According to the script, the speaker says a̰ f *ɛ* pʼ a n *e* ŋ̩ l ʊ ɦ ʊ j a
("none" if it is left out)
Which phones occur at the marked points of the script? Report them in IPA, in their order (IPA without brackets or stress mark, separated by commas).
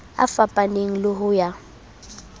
a, e